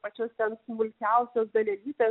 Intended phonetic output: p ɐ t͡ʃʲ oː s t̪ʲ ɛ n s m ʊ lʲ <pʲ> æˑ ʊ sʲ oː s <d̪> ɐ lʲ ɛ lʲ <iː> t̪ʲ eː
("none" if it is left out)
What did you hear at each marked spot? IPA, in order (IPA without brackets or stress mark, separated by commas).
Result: kʲ, d̪, iː